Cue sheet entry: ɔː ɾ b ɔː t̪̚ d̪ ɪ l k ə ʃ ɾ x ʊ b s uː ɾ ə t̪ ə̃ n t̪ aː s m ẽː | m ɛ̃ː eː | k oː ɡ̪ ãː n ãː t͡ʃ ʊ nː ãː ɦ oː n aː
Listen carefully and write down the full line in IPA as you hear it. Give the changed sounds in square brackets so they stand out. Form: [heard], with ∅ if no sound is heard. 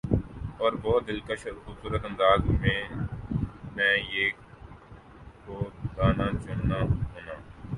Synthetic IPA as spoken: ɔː ɾ b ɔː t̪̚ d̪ ɪ l k ə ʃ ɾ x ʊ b s uː ɾ ə t̪ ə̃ n [d̪] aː [z] m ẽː | m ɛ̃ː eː | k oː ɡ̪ [aː] n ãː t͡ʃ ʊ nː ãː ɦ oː n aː